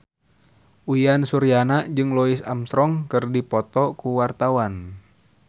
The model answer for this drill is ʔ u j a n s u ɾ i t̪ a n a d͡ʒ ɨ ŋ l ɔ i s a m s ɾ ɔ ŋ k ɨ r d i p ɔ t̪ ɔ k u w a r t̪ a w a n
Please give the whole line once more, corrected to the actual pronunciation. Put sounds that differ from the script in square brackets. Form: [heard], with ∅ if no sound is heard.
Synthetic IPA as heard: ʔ u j a n s u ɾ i [∅] a n a d͡ʒ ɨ ŋ l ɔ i s a m s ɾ ɔ ŋ k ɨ r d i p ɔ t̪ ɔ k u w a r t̪ a w a n